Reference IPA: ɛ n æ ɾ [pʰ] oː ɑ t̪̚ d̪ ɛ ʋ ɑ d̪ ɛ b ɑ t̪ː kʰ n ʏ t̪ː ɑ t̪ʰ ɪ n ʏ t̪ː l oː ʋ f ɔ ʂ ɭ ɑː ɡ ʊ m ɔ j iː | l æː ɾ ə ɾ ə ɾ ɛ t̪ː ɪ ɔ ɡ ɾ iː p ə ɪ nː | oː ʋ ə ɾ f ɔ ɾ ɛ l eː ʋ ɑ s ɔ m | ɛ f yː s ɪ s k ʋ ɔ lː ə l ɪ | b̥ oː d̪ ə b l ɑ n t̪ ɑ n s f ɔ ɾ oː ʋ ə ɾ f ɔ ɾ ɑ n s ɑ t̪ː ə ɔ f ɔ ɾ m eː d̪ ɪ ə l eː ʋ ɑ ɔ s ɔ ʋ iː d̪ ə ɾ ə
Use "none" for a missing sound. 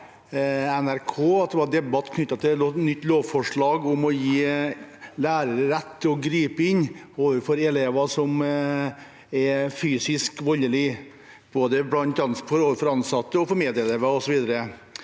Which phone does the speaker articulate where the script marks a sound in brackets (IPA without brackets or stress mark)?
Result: kʰ